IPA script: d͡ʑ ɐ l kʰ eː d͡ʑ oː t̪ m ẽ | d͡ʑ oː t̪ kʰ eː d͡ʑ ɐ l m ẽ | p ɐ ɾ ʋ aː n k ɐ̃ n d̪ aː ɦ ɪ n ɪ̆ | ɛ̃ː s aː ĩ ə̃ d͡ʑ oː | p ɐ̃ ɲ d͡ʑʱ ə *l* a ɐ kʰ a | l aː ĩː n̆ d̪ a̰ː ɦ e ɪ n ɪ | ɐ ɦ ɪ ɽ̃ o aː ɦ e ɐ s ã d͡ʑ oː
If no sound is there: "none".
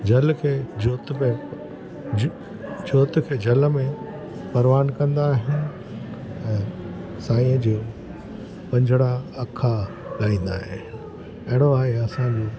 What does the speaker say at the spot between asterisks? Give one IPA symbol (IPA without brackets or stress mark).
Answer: ɽ